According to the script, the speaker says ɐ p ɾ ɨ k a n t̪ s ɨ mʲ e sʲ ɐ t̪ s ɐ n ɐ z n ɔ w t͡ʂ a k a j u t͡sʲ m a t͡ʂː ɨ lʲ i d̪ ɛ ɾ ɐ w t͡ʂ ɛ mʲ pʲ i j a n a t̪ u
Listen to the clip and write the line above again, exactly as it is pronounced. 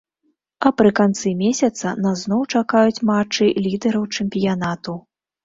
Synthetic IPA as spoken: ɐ p ɾ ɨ k a n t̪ s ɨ mʲ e sʲ ɐ t̪ s ɐ n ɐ z n ɔ w t͡ʂ a k a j u t͡sʲ m a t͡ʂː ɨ lʲ i d̪ ɛ ɾ ɐ w t͡ʂ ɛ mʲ pʲ i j a n a t̪ u